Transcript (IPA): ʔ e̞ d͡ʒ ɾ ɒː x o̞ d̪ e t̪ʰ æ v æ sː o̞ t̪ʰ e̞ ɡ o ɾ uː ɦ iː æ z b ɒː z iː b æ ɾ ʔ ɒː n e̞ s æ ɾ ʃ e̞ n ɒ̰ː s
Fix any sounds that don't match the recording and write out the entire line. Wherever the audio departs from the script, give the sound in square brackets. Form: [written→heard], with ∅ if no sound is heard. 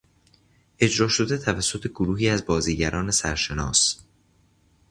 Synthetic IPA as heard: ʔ e̞ d͡ʒ ɾ ɒː [x→ʃ] o̞ d̪ e t̪ʰ æ v æ sː o̞ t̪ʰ e̞ ɡ o ɾ uː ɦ iː æ z b ɒː z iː [b→ɟ] æ ɾ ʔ ɒː n e̞ s æ ɾ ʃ e̞ n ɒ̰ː s